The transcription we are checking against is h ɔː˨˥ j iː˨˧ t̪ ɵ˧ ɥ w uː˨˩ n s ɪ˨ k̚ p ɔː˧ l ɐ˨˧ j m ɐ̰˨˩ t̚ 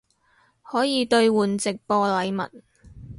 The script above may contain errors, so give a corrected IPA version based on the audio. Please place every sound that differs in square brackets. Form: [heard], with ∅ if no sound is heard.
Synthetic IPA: h ɔː˨˥ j iː˨˧ t̪ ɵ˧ ɥ w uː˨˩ n [t͡s] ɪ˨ k̚ p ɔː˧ l ɐ˨˧ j m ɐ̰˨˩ t̚